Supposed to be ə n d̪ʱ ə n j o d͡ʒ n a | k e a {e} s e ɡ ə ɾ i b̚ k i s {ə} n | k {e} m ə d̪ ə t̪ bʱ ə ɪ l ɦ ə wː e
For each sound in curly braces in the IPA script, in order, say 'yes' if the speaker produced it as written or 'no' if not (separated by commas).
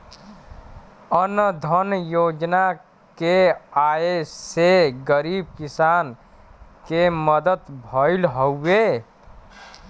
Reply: yes, no, yes